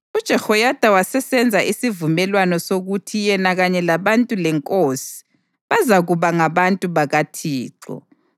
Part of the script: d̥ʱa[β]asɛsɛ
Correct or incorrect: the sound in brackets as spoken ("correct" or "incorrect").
incorrect